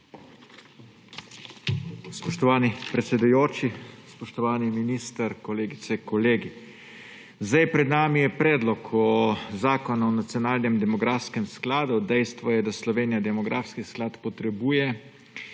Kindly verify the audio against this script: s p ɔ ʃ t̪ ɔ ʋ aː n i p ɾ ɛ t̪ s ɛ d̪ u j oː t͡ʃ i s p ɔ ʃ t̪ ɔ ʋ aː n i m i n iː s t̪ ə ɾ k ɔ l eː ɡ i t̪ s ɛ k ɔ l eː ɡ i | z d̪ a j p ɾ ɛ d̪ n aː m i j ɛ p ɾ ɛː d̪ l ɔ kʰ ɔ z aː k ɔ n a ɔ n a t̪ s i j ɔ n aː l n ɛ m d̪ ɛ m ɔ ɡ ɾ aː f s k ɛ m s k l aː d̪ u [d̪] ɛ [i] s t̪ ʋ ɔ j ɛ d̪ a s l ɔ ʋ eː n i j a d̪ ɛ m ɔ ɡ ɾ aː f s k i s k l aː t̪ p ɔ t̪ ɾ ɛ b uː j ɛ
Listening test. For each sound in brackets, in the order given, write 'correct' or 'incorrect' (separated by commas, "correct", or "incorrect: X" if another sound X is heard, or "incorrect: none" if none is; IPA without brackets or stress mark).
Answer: correct, incorrect: j